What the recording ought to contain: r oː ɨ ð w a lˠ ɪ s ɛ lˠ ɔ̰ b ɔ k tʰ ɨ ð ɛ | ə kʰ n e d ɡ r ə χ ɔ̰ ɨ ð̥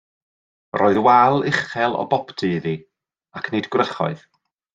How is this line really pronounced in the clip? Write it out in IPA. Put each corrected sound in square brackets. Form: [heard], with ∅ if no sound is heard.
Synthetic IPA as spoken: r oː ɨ ð w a lˠ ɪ [χ] ɛ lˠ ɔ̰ b ɔ [p] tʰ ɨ ð [i] | [a] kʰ n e d ɡ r ə χ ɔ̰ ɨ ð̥